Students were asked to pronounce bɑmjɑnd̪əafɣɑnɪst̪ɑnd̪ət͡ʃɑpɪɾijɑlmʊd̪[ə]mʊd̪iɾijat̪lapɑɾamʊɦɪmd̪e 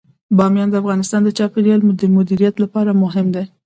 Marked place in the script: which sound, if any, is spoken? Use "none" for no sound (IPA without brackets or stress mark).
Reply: ə